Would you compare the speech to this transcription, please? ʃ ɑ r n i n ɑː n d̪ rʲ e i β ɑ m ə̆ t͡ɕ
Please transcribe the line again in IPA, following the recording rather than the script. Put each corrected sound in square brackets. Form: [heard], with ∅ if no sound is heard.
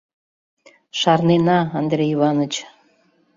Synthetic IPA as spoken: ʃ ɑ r n [e] n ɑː n d̪ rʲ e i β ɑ [n] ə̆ t͡ɕ